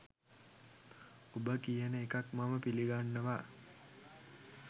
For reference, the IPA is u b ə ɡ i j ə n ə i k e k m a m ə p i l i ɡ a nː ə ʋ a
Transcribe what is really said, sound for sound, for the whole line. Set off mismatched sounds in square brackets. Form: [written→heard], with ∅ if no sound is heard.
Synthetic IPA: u b ə [ɡ→k] i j ə n ə [i→e] k [e→a] k m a m ə p i l i ɡ a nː ə ʋ a